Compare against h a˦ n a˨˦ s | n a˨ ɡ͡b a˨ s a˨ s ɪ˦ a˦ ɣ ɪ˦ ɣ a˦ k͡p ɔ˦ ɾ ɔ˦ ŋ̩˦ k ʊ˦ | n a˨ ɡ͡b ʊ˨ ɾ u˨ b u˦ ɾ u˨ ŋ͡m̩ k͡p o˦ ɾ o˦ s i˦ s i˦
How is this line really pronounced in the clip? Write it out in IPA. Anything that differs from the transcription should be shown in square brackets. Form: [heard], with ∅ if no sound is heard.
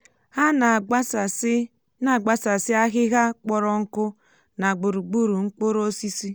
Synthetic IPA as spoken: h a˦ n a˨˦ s | n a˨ ɡ͡b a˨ s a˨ s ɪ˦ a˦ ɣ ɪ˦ ɣ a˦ k͡p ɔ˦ ɾ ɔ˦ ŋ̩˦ k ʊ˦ | n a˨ ɡ͡b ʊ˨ ɾ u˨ [ɡ͡b] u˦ ɾ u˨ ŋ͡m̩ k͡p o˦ ɾ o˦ s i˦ s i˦